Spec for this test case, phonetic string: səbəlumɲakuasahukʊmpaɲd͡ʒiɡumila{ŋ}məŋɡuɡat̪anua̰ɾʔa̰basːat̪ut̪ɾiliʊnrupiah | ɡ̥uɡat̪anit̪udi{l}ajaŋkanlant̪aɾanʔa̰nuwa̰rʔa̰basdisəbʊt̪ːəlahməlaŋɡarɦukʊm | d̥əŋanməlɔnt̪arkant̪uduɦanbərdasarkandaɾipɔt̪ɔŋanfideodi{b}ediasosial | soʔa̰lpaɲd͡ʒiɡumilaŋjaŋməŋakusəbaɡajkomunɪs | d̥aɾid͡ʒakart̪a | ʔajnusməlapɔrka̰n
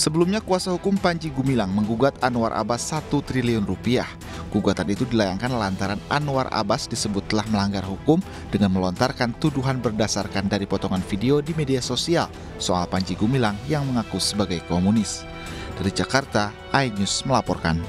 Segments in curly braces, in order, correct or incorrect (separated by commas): correct, correct, incorrect